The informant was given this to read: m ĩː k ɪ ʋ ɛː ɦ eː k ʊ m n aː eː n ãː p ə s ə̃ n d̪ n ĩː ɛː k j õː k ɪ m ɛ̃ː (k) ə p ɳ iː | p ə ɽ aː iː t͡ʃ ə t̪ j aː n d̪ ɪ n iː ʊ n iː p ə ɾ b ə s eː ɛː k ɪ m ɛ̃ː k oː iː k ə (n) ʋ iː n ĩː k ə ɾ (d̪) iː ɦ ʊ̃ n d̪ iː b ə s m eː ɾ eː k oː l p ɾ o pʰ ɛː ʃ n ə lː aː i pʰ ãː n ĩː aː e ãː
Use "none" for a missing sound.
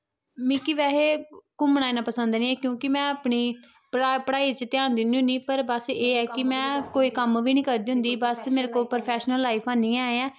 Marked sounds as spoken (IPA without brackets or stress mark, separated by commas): none, m, d̪